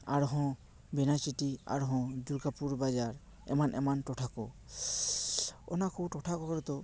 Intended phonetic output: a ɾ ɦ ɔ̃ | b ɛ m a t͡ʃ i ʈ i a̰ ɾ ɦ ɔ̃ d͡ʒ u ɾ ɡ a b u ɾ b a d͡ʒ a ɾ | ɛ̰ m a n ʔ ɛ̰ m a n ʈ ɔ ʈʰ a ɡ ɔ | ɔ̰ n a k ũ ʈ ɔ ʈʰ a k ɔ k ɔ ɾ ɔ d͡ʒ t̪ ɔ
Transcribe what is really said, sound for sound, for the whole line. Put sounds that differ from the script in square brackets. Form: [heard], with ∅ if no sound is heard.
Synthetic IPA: a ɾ ɦ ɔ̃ | b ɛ [n] a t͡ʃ i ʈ i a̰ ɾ ɦ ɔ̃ d͡ʒ u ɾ ɡ a [p] u ɾ b a d͡ʒ a ɾ | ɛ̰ m a n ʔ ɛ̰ m a n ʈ ɔ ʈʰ a [k] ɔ | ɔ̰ n a k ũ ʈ ɔ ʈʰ a k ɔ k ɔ ɾ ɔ [∅] t̪ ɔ